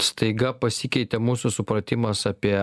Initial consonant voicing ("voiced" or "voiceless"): voiceless